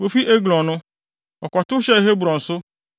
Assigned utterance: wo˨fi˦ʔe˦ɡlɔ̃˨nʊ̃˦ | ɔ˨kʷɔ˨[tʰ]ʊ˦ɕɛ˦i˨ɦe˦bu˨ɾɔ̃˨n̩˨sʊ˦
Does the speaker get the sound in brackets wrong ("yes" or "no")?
yes